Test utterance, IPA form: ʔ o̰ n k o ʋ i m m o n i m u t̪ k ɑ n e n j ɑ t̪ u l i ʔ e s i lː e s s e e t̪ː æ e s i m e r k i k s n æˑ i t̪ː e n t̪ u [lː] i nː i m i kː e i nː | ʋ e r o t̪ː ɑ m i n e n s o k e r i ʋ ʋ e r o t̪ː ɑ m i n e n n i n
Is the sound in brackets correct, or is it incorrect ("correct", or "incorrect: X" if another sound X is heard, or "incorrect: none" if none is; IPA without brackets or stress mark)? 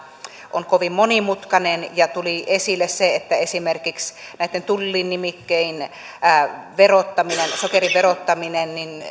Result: correct